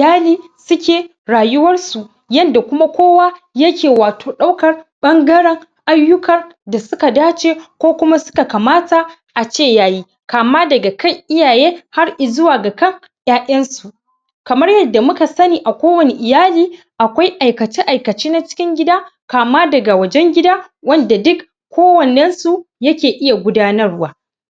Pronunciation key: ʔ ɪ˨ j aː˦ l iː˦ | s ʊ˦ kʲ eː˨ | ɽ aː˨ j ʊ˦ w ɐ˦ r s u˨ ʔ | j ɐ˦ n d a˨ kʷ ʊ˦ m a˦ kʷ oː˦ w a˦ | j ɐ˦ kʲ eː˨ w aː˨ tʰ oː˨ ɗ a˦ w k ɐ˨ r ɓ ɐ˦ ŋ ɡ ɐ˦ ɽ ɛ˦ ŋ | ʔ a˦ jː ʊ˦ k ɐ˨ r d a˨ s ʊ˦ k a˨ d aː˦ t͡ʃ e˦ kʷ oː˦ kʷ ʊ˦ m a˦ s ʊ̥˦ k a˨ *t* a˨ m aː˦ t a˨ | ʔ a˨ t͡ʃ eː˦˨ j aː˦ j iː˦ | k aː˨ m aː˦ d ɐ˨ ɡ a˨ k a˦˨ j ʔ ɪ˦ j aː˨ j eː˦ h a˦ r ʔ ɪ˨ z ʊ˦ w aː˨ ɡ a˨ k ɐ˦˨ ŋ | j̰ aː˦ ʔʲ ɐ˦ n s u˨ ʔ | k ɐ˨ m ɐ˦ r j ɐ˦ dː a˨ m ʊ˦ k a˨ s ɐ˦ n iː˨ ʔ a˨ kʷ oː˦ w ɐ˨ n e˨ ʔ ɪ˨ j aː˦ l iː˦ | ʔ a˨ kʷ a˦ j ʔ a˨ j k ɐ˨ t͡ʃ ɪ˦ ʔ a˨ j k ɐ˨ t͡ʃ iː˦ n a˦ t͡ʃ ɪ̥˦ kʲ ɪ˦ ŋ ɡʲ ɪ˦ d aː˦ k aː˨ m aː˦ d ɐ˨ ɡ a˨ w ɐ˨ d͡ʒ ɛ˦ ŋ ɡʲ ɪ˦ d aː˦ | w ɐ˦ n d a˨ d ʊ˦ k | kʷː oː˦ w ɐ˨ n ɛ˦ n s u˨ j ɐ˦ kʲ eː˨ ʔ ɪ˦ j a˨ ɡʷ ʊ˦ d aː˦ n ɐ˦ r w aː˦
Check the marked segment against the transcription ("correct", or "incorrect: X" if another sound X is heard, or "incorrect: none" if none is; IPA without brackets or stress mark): incorrect: k